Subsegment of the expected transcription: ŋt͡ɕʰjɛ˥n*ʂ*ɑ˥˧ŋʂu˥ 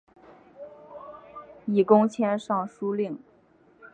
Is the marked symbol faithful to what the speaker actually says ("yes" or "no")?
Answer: yes